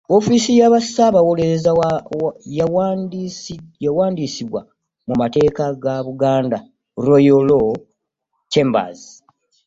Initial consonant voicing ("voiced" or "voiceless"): voiceless